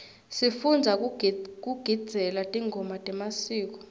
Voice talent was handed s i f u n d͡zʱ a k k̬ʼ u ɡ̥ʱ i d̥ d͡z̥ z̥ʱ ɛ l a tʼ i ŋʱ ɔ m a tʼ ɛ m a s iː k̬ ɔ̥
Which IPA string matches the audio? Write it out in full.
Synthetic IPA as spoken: s i f u n d͡zʱ a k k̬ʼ u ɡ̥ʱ i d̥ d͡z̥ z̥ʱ ɛ l a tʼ i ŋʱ ɔ m a tʼ ɛ m a s iː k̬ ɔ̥